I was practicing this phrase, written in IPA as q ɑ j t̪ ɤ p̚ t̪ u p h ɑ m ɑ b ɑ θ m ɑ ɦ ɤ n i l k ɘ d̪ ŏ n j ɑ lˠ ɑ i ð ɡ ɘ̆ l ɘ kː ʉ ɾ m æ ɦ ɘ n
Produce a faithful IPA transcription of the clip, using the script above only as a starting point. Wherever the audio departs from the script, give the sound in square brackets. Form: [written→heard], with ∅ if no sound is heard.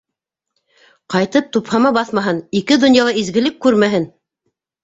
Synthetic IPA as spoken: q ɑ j t̪ ɤ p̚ t̪ u p h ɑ m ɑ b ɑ θ m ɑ ɦ ɤ n i [l→∅] k ɘ d̪ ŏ n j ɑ lˠ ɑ i [ð→z] ɡ ɘ̆ l ɘ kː ʉ ɾ m æ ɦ ɘ n